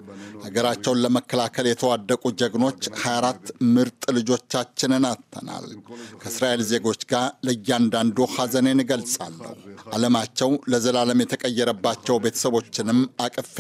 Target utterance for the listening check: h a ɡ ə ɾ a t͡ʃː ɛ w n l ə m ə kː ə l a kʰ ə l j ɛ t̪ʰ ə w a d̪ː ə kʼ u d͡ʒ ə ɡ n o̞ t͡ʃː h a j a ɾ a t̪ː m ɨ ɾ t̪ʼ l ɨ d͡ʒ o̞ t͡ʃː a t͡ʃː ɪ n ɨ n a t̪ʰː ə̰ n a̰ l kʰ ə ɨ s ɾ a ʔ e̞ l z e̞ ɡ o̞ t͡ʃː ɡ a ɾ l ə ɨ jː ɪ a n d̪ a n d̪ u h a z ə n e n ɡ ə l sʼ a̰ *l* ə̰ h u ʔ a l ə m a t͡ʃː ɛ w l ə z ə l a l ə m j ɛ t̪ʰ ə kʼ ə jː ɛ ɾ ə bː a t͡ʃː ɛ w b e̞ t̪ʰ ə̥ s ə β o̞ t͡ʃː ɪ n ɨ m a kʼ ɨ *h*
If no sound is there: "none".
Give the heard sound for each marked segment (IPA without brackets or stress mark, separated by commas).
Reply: lː, f